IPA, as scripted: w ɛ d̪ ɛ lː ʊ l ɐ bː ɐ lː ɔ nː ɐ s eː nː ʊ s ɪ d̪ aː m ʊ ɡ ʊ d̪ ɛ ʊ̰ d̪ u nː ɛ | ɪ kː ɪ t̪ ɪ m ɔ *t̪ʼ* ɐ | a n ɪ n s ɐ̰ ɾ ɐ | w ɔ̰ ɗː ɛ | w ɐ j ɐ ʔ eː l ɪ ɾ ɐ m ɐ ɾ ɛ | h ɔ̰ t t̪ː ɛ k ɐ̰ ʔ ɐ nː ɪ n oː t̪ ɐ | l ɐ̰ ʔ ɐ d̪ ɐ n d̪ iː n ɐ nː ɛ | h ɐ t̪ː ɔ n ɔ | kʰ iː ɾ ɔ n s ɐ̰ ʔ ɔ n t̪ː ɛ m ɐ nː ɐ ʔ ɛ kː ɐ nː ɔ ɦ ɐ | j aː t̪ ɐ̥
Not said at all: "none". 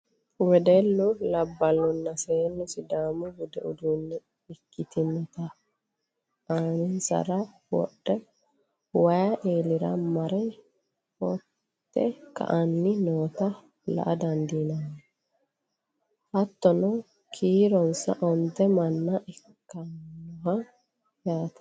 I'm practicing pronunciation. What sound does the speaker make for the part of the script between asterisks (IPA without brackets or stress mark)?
t̪